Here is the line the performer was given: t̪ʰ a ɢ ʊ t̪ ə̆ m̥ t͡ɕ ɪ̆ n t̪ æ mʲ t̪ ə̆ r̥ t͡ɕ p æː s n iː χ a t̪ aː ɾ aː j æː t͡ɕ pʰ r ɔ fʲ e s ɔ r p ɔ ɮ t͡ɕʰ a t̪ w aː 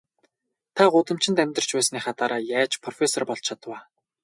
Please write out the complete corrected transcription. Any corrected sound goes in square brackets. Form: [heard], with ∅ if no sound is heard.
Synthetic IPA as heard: t̪ʰ a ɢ ʊ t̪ ə̆ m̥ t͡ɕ ɪ̆ n t̪ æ mʲ t̪ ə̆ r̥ t͡ɕ p æː s n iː χ a t̪ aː ɾ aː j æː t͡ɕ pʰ r ɔ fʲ e s ɔ r p ɔ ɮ t͡ɕʰ a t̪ w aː